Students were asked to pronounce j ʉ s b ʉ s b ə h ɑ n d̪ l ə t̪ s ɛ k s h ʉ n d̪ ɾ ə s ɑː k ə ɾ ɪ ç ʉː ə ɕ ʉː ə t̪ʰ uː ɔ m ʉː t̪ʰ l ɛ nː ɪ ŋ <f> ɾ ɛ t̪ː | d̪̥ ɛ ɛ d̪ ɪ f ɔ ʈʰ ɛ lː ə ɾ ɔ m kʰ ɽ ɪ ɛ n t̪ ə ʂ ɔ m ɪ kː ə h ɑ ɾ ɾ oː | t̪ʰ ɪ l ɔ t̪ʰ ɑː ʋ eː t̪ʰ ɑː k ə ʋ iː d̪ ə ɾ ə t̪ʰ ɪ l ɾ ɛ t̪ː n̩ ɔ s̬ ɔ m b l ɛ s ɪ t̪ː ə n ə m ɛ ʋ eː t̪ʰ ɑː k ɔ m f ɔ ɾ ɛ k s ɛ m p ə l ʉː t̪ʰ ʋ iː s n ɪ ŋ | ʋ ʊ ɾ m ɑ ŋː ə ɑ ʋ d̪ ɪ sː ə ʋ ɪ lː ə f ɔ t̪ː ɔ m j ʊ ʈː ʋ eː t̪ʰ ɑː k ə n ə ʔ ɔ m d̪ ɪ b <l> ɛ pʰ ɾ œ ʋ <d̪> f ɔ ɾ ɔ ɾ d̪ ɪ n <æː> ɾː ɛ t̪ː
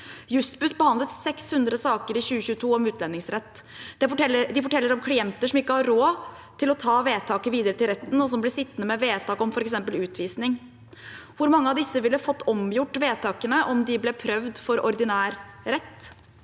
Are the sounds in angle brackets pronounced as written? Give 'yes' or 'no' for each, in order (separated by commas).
no, yes, yes, yes